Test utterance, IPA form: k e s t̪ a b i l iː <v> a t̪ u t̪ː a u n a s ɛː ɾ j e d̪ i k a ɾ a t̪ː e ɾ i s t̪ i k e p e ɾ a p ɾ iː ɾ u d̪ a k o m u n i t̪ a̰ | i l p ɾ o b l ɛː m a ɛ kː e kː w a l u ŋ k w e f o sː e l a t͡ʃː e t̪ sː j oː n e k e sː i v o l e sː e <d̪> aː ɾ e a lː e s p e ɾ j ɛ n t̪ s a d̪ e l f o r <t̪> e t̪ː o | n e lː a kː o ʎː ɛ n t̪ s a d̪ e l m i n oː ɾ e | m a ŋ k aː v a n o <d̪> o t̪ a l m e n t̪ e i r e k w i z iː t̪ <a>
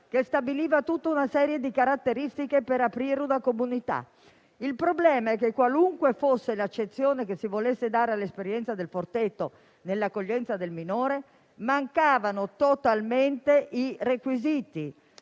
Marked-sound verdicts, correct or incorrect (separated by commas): correct, correct, correct, incorrect, incorrect